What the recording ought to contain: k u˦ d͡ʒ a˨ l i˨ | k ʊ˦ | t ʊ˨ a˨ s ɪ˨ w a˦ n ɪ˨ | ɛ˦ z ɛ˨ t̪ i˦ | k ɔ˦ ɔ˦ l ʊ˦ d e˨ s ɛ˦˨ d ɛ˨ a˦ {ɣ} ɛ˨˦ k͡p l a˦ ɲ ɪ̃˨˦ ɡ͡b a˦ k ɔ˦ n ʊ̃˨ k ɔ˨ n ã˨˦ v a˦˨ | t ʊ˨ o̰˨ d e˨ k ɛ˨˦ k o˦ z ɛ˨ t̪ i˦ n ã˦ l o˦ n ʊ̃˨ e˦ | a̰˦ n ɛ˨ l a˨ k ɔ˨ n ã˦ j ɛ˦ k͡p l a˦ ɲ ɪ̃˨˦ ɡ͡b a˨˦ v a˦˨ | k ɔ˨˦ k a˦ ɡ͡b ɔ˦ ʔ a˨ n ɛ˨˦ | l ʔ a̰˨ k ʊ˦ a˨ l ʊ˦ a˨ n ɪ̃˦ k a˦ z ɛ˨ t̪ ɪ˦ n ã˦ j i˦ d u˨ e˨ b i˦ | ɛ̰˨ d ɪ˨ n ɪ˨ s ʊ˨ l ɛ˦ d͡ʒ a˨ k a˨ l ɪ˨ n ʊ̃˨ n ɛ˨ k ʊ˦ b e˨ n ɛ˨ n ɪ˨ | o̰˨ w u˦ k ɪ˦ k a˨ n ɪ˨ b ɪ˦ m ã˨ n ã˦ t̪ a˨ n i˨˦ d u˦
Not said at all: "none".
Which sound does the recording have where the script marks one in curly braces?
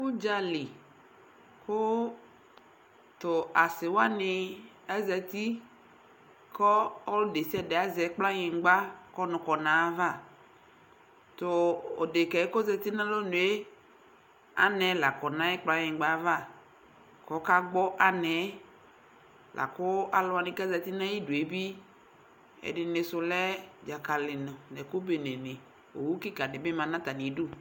z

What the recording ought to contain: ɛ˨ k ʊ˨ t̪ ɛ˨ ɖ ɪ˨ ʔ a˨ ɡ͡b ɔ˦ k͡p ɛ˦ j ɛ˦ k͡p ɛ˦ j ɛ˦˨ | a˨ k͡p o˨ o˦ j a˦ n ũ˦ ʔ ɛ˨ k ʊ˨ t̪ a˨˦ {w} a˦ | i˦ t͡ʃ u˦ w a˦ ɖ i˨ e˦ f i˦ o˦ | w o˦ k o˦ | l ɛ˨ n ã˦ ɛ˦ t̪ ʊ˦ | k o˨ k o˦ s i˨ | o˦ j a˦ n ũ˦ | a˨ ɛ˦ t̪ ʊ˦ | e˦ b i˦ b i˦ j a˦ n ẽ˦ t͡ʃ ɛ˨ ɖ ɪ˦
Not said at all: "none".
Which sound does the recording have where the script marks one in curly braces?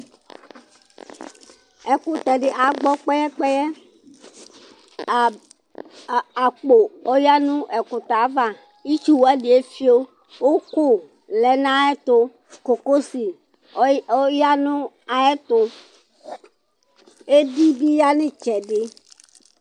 v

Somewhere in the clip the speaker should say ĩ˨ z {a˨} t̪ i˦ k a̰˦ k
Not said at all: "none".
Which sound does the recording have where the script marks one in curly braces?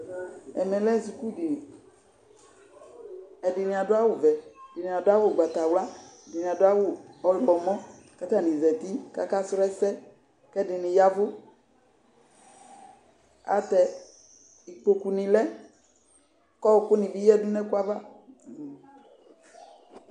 ɛ˨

